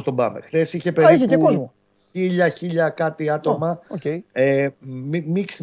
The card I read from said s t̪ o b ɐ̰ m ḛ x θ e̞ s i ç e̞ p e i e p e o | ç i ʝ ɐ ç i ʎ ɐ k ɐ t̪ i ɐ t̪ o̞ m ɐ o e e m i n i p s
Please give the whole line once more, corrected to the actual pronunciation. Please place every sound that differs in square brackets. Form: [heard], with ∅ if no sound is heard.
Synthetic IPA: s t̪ o b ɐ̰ m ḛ x θ e̞ s i ç e̞ p e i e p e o | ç i [ʎ] ɐ ç i ʎ ɐ k ɐ t̪ i ɐ t̪ o̞ m ɐ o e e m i [m] i [k] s